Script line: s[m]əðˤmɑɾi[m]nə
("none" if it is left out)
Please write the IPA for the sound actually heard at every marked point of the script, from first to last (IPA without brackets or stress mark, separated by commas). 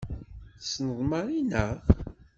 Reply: n, none